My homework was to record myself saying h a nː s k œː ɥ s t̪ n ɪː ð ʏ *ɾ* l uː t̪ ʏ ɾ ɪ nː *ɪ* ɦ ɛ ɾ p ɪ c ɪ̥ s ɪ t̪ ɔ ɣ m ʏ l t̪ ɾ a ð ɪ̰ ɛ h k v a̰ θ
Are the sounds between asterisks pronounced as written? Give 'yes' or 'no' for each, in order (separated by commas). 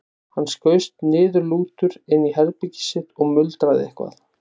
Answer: yes, no